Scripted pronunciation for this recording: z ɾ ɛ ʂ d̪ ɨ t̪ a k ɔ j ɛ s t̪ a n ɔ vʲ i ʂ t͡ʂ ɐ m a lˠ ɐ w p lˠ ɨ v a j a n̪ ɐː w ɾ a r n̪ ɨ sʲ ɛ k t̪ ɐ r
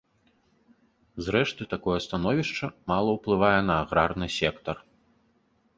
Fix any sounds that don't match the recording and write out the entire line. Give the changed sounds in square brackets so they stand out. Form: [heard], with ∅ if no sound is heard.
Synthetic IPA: z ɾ ɛ ʂ [t̪] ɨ t̪ a k ɔ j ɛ s t̪ a n ɔ vʲ i ʂ t͡ʂ ɐ m a lˠ ɐ w p lˠ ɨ v a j [ɛ] n̪ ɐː [ɣ] ɾ a r n̪ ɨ sʲ ɛ k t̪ ɐ r